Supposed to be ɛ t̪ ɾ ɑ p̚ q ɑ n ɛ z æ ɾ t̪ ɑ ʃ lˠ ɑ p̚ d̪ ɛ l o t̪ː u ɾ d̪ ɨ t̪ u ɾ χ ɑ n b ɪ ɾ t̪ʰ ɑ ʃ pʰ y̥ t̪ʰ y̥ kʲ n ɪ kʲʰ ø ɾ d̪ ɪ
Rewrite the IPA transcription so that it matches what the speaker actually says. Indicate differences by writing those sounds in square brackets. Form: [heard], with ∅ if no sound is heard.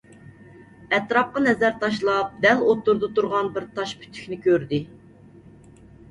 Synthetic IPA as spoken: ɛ t̪ ɾ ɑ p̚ q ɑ n ɛ z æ ɾ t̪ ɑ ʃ lˠ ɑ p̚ d̪ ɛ l o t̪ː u ɾ d̪ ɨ t̪ u ɾ [ʁ] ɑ n b ɪ ɾ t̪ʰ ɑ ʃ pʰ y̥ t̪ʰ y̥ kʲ n ɪ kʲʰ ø ɾ d̪ ɪ